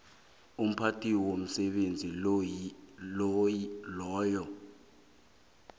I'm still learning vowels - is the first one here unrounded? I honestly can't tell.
no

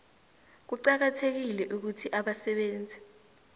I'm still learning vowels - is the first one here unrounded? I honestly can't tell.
no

